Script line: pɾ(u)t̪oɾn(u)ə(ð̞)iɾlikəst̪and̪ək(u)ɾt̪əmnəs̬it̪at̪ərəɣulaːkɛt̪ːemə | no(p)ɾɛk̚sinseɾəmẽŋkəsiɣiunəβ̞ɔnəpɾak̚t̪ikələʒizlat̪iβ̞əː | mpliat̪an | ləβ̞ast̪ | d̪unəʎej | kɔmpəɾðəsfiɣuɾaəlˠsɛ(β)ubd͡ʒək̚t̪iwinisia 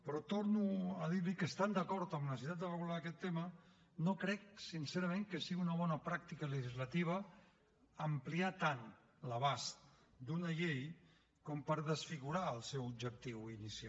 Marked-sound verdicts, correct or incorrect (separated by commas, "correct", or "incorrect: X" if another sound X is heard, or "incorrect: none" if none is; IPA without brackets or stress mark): incorrect: ɔ, correct, correct, incorrect: ɔ, incorrect: k, incorrect: w